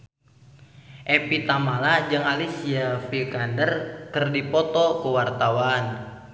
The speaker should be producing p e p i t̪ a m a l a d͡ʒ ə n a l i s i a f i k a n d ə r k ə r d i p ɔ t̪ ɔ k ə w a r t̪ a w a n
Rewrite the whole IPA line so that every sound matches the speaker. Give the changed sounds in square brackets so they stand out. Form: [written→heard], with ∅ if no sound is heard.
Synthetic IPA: [p→ʔ] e p i t̪ a m a l a d͡ʒ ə [n→ŋ] a l i s i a f i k a n d ə r k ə r d i p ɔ t̪ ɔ k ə w a r t̪ a w a n